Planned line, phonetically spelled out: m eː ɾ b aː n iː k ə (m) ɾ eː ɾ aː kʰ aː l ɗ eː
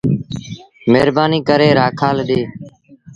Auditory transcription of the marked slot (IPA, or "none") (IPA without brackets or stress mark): none